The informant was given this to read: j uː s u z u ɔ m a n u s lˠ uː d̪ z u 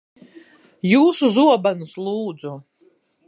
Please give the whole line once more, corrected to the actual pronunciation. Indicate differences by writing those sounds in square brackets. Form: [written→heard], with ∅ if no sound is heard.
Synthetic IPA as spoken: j uː s u z u ɔ [m→b] a n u s lˠ uː d̪ z u